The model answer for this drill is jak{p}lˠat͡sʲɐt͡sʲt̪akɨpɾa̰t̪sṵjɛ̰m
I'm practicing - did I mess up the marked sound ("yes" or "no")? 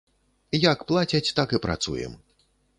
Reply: no